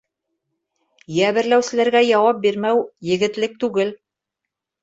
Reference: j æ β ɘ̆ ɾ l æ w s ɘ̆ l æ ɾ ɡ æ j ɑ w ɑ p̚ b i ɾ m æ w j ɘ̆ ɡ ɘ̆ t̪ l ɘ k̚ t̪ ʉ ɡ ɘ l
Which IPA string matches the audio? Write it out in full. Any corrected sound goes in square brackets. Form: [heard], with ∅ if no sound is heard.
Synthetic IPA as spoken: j æ β ɘ̆ ɾ l æ w s ɘ̆ l æ ɾ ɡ æ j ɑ w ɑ p̚ b i ɾ m æ w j ɘ̆ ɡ ɘ̆ t̪ l ɘ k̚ t̪ ʉ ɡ ɘ l